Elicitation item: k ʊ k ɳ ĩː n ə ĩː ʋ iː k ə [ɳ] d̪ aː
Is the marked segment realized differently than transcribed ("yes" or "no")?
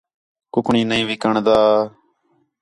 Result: no